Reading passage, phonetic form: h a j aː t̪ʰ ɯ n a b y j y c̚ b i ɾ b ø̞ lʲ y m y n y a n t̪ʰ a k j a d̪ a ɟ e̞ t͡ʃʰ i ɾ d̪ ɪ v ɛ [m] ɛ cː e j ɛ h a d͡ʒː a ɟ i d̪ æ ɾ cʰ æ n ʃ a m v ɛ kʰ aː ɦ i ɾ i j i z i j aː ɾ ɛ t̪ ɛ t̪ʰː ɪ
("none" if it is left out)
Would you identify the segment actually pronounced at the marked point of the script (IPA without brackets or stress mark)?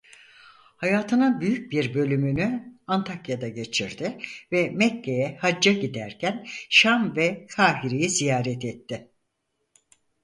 m